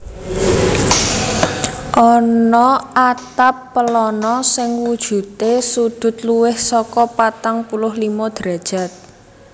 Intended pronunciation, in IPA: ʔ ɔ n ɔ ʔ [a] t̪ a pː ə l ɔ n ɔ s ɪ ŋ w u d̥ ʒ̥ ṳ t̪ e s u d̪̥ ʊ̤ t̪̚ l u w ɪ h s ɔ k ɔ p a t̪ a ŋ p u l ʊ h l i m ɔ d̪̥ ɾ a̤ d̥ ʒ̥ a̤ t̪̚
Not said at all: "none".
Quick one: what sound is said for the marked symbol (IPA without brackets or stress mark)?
a